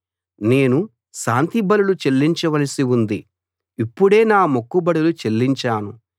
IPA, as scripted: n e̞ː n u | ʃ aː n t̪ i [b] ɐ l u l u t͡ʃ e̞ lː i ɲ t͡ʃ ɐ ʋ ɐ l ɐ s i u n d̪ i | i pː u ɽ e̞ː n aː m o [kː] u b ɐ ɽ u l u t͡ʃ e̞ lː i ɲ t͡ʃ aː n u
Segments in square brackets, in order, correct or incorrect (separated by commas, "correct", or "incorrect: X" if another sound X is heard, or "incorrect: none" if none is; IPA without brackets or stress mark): correct, correct